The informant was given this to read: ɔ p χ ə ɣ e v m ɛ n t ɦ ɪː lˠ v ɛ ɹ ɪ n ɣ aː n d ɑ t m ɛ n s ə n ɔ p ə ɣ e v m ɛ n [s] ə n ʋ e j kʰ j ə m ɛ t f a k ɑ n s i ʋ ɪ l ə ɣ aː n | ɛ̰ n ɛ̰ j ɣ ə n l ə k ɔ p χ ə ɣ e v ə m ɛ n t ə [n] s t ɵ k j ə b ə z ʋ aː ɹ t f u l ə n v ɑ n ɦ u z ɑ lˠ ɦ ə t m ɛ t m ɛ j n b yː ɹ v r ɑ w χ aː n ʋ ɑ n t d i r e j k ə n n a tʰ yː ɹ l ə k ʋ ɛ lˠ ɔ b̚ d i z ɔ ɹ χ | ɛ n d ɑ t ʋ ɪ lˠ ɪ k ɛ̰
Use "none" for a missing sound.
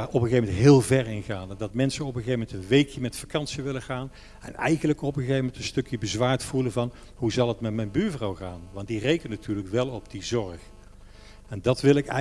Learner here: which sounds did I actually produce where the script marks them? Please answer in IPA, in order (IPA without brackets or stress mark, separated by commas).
t, n